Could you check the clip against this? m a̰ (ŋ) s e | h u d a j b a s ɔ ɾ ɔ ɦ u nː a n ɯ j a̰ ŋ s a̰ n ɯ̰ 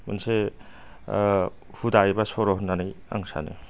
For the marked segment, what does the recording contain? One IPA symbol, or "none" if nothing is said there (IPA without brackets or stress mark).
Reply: n